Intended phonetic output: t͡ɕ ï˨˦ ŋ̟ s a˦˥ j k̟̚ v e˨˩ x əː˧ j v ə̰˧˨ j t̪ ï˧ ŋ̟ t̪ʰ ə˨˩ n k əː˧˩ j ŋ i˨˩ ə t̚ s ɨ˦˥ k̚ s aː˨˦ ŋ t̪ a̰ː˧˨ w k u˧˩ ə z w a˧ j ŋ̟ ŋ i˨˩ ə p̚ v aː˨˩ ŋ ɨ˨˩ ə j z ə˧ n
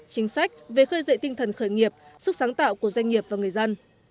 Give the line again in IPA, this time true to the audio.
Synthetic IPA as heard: t͡ɕ ï˨˦ ŋ̟ s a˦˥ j k̟̚ v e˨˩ x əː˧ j z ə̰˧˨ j t̪ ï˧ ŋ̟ t̪ʰ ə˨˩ n x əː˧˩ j ŋ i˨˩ ə p̚ s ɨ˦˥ k̚ s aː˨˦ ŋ t̪ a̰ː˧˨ w k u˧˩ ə z w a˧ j ŋ̟ ŋ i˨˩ ə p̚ v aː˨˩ ŋ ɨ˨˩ ə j z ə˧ n